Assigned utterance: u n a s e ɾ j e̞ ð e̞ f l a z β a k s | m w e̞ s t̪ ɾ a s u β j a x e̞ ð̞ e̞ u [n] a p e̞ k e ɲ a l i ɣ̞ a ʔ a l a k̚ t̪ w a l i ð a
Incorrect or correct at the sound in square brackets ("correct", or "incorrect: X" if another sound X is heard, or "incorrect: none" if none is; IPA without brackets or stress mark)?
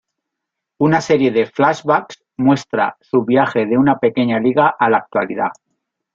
correct